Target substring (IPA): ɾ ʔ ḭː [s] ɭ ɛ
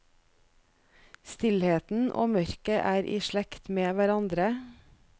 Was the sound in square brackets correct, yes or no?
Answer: no